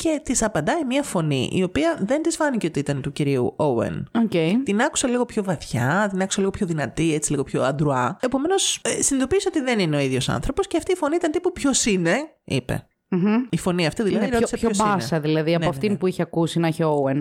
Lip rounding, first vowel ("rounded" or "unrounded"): unrounded